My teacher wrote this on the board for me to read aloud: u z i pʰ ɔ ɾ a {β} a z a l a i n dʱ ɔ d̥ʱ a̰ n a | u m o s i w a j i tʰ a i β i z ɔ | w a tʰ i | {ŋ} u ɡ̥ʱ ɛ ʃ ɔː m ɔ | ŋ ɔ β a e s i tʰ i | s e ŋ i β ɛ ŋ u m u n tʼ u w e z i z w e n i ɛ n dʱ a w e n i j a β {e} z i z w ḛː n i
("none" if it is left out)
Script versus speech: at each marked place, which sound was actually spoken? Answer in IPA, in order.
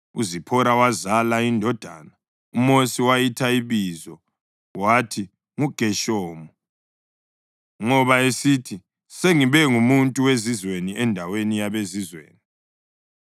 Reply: w, ŋ, e

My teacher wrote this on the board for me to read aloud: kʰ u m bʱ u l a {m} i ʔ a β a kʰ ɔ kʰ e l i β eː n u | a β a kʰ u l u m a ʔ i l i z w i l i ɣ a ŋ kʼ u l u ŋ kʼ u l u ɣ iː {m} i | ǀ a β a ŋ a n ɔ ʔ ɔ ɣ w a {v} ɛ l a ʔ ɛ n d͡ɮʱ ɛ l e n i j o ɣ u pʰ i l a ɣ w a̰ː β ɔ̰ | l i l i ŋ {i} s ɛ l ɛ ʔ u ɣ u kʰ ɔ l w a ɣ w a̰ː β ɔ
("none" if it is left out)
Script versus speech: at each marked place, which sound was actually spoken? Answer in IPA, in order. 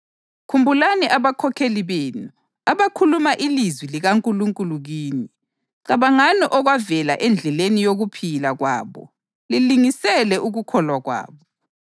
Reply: n, n, v, i

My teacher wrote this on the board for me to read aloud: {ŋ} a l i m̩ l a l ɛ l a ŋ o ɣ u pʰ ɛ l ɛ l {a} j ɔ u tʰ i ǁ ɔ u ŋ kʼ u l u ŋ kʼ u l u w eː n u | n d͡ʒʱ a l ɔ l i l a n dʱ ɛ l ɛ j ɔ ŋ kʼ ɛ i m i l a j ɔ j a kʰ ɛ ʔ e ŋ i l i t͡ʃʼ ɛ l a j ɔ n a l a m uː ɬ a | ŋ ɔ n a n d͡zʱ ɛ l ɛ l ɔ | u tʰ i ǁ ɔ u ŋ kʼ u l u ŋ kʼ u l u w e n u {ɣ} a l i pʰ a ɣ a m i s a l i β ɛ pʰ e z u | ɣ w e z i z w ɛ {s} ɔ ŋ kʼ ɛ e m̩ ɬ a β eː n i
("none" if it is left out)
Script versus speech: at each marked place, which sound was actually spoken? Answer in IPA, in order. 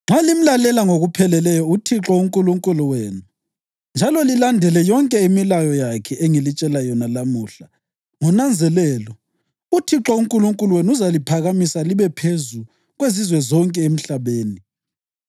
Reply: ŋ͡ǁ, ɛ, z, z

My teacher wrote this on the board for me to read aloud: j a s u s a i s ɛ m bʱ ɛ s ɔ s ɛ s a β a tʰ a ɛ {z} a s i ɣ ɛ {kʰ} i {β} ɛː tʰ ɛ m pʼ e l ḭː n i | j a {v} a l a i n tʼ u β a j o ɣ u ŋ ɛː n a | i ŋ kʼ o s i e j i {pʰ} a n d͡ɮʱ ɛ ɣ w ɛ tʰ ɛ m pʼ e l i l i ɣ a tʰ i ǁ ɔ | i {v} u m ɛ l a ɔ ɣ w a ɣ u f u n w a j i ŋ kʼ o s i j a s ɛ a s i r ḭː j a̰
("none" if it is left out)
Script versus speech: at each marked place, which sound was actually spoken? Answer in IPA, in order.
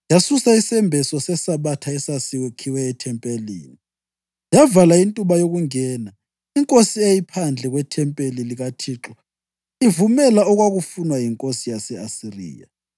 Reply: s, kʰ, w, v, pʰ, v

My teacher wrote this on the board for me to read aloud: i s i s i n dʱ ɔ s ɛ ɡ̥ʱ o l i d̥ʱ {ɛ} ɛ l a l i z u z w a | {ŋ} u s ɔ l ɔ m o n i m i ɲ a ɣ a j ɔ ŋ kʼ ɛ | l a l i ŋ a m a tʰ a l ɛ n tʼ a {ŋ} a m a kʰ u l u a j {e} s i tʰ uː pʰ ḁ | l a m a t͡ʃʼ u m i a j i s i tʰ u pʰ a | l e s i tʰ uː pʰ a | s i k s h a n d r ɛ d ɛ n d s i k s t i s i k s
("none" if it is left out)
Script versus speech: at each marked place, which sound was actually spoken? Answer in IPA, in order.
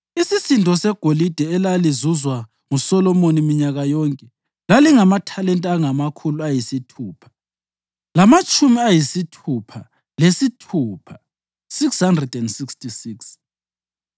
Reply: ɛ, ŋ, ŋ, i

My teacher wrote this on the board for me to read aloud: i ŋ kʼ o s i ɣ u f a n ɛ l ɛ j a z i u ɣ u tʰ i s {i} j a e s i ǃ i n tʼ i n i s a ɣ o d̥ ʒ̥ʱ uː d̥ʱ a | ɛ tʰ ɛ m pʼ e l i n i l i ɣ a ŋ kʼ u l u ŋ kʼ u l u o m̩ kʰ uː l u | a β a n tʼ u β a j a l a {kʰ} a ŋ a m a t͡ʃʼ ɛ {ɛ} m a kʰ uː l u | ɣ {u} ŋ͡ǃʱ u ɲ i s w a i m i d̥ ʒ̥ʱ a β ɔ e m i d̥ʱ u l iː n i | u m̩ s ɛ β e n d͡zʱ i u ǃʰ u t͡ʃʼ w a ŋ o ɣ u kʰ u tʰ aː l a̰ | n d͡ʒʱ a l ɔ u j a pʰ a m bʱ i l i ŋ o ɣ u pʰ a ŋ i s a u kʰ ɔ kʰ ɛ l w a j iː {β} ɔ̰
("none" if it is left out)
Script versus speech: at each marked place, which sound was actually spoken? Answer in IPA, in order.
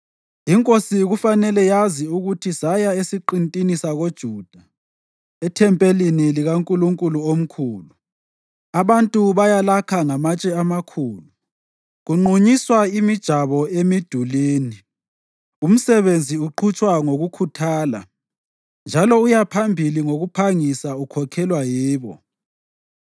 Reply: a, kʰ, a, u, β

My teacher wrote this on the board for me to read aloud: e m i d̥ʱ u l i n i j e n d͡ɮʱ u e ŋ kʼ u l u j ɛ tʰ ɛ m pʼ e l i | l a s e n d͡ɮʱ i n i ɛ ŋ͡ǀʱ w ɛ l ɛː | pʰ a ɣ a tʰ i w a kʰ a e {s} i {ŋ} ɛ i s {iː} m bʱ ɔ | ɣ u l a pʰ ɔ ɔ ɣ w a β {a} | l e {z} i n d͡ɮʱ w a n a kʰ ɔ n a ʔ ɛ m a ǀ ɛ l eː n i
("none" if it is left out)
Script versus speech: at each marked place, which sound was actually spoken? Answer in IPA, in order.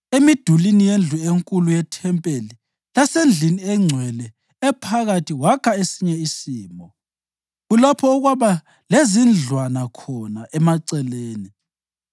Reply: s, ɲ, iː, a, z

